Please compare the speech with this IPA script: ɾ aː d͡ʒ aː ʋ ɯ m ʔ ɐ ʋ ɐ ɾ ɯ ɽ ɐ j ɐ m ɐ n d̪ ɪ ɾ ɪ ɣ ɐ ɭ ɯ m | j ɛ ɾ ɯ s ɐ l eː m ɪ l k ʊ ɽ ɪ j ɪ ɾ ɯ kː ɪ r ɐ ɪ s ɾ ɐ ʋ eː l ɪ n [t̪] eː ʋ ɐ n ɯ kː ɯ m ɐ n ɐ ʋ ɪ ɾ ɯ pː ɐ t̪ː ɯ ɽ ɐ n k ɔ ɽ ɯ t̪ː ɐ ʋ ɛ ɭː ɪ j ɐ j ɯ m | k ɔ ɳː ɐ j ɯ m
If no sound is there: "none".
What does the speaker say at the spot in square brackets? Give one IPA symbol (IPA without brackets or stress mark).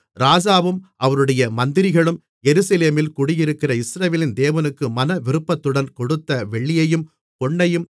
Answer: d̪